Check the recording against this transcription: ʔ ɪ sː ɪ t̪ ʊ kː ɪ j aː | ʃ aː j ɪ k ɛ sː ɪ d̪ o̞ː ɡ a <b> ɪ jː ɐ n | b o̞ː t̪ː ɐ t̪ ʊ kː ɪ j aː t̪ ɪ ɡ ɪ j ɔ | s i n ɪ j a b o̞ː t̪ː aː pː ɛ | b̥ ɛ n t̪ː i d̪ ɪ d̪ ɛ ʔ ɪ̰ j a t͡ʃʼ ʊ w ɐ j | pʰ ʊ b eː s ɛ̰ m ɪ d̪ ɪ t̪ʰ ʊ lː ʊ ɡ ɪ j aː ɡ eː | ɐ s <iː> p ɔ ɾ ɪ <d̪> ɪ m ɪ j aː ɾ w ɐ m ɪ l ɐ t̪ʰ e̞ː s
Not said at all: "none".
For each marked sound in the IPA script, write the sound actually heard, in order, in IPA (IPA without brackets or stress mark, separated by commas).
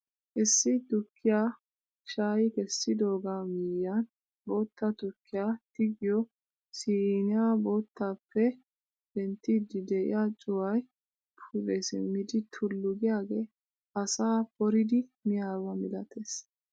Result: m, aː, d̪